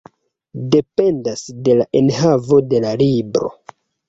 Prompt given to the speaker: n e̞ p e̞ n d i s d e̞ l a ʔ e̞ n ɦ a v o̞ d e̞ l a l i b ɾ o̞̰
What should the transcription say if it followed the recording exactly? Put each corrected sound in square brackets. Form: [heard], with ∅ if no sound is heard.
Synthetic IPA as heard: [d] e̞ p e̞ n d [a] s d e̞ l a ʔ e̞ n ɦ a v o̞ d e̞ l a l i b ɾ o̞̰